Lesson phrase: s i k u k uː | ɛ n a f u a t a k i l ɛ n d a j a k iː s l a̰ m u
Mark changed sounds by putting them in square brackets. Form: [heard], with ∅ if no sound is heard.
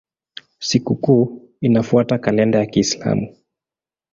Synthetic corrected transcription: s i k u k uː | [i] n a f u a t a k [a] l ɛ n d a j a k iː s l a̰ m u